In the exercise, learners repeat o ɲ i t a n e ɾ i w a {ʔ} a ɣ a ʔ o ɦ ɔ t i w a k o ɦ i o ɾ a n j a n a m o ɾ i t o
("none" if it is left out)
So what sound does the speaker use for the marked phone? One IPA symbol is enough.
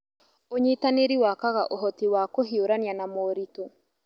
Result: k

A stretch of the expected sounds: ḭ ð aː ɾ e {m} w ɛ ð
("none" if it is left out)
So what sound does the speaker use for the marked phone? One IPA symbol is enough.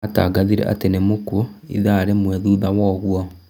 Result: m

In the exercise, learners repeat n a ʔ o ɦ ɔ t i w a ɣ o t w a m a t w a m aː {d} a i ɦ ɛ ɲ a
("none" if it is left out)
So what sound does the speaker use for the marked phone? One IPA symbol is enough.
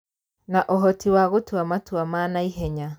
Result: n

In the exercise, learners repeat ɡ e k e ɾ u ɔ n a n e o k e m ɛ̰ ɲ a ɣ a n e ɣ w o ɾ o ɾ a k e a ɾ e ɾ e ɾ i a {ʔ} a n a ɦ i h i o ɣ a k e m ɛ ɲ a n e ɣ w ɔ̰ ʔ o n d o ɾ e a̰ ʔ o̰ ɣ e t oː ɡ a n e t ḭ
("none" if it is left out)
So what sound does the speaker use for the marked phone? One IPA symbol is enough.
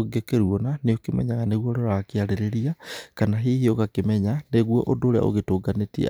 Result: k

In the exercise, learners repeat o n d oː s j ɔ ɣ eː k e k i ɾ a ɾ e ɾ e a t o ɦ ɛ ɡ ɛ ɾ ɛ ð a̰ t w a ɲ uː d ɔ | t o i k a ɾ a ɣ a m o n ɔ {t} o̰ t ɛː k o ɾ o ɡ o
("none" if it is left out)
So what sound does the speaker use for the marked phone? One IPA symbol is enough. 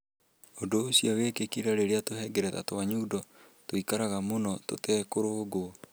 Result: t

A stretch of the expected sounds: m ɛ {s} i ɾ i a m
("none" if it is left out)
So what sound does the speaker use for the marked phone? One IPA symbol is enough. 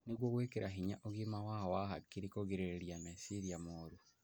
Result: s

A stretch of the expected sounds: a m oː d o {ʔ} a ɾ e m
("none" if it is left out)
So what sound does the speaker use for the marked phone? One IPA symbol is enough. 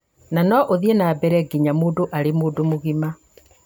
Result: ʔ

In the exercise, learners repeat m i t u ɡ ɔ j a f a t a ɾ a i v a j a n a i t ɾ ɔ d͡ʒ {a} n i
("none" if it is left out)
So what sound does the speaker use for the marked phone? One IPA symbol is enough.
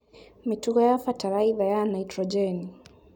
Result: ɛ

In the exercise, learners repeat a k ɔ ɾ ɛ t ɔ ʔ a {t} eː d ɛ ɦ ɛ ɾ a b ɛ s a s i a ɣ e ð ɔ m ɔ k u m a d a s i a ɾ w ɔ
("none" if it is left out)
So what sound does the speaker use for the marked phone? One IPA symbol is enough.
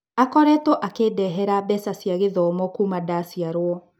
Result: k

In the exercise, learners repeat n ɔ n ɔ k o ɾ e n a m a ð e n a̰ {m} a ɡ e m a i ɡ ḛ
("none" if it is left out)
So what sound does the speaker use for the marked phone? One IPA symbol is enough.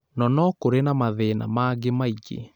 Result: m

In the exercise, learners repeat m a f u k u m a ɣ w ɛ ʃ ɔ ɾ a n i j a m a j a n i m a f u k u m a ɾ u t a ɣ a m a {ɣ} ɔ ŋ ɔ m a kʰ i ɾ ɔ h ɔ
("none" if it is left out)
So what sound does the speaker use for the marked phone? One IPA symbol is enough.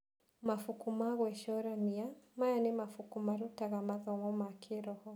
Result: ð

